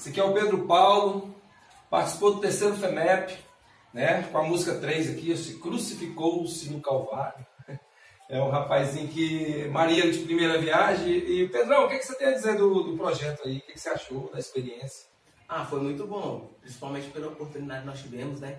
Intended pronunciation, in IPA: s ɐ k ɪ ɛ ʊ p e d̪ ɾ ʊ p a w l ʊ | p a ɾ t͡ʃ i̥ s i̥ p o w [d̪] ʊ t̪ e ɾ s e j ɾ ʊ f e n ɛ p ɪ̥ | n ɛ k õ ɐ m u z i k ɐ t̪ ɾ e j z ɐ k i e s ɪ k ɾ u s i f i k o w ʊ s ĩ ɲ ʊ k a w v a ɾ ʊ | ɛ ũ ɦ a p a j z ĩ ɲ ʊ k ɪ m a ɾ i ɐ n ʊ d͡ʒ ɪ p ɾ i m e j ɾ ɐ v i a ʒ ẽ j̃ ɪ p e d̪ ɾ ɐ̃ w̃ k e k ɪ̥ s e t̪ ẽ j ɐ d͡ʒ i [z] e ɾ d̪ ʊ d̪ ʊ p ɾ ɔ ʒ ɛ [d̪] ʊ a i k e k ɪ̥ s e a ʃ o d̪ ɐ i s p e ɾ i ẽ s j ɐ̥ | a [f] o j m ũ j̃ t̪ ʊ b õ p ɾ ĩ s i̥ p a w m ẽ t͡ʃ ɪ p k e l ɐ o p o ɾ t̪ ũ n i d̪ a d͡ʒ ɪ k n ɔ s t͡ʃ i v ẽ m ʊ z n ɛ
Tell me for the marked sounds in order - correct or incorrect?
correct, correct, incorrect, correct

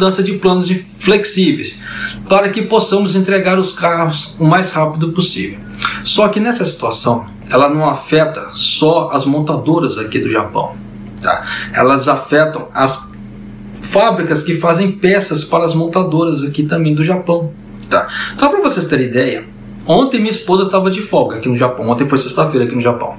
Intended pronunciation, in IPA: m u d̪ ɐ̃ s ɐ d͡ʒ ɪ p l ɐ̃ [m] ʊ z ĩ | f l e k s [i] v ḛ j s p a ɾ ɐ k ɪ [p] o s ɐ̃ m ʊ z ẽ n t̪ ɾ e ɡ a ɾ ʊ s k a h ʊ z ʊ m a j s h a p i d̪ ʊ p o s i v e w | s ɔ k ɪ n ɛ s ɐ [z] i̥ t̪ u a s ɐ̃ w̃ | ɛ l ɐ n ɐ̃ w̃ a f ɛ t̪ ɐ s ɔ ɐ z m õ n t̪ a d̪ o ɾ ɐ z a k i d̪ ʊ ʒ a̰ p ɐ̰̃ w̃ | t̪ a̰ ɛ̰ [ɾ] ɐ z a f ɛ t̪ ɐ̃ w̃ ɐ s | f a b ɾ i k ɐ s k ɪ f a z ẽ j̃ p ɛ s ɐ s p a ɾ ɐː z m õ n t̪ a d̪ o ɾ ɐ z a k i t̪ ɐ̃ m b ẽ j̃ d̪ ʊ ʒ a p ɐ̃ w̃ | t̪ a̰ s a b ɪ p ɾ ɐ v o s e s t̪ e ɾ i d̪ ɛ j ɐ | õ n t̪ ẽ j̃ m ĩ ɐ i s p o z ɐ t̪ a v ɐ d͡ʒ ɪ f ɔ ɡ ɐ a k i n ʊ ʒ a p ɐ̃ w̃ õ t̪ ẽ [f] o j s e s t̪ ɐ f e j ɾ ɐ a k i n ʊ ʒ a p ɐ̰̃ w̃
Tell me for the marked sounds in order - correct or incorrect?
incorrect, correct, correct, incorrect, incorrect, correct

